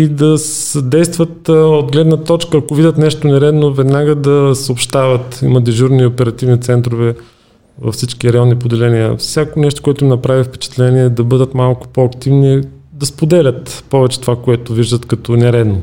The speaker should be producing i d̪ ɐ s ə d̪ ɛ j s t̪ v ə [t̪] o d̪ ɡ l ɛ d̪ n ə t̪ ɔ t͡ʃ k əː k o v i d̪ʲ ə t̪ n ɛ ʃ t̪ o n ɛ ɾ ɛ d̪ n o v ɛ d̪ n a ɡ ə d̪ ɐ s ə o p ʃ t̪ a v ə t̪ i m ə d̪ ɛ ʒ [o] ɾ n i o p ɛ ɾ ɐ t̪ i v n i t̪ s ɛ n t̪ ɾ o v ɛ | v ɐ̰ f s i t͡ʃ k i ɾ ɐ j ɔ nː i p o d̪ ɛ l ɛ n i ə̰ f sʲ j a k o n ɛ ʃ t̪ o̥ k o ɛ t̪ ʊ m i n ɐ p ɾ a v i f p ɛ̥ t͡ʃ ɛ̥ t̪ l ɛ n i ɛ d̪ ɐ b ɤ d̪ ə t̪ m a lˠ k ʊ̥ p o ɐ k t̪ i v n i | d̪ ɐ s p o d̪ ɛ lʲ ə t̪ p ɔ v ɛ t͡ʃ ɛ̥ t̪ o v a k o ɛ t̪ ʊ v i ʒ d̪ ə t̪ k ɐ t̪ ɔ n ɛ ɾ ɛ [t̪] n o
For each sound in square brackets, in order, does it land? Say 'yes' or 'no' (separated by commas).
yes, no, no